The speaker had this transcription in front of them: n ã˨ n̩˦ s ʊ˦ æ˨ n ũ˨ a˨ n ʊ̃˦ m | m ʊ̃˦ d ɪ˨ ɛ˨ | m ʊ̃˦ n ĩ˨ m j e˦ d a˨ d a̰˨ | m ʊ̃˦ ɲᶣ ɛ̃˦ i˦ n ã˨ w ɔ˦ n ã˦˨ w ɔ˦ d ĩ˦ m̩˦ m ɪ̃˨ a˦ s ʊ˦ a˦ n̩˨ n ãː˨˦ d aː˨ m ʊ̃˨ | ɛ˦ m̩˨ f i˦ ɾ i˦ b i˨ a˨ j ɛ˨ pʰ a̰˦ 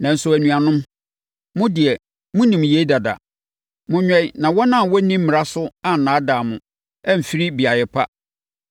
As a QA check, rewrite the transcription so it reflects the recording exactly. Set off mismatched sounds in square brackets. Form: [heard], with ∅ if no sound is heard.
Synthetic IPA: n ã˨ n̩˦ s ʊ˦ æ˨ n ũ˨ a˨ n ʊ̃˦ m | m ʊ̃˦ d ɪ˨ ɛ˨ | m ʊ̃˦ n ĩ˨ m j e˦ d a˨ d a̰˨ | m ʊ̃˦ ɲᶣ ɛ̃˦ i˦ n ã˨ w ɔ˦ n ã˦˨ w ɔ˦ [n] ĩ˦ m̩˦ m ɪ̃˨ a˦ s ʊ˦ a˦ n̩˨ n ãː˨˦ d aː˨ m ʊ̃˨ | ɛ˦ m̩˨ f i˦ ɾ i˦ b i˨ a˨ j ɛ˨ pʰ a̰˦